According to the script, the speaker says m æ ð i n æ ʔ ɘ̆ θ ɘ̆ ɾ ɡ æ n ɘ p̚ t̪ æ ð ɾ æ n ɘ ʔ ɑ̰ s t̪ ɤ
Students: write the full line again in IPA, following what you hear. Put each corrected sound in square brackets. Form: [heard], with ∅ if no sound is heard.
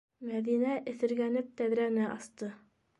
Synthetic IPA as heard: m æ ð i n æ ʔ ɘ̆ θ ɘ̆ ɾ ɡ æ n ɘ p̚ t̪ æ ð ɾ æ n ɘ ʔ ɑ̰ s t̪ ɤ